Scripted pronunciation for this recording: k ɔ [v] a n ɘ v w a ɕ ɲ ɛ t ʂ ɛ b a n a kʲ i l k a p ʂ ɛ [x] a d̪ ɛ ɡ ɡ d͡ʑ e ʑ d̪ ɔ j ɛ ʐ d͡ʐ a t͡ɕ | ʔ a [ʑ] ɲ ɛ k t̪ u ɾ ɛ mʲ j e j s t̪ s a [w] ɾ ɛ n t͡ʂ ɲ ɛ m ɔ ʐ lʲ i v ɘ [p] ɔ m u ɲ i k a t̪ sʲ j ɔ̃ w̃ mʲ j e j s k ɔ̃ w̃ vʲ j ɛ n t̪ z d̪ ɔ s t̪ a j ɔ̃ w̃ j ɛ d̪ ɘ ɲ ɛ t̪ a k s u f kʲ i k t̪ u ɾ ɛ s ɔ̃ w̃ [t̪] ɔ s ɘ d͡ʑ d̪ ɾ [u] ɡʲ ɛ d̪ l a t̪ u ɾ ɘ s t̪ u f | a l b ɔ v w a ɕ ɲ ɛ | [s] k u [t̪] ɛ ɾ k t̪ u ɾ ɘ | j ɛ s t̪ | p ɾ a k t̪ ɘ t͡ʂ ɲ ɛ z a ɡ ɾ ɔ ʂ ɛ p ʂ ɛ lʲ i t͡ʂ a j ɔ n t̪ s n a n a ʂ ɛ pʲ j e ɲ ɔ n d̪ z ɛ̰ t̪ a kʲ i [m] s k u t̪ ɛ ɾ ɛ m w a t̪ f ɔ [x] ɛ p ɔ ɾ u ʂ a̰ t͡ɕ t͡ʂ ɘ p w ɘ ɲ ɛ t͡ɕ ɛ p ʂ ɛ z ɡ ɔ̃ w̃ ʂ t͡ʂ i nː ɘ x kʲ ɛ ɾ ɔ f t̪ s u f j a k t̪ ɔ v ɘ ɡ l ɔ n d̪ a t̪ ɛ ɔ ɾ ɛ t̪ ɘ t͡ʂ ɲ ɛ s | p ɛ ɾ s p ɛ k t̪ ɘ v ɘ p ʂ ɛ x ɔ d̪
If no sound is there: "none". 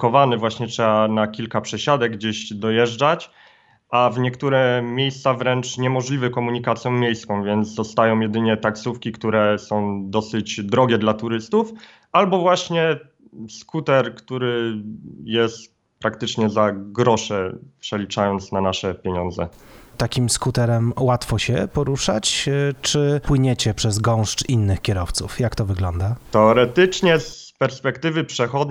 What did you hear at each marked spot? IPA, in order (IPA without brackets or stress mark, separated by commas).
v, ɕ, v, v, k, d̪, ɔ, s, t̪, m, ɕ